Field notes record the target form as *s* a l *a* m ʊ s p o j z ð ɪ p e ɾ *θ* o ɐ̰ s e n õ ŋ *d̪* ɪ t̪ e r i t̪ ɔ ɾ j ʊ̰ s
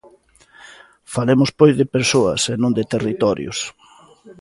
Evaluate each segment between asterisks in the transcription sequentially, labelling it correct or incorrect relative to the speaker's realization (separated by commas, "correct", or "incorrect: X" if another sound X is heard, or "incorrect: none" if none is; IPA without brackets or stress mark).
incorrect: f, incorrect: e, incorrect: s, correct